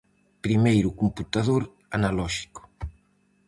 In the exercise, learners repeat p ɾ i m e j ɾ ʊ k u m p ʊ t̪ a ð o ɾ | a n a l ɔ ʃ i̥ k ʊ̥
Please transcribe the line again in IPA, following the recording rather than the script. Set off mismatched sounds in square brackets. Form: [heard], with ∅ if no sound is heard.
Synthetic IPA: p ɾ i m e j ɾ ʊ k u m p [u] t̪ a ð o ɾ | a n a l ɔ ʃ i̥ k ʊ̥